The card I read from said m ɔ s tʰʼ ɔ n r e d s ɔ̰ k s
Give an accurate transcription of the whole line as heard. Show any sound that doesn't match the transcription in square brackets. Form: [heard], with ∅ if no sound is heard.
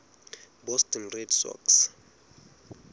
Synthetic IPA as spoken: [b] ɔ s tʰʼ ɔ n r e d s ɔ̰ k s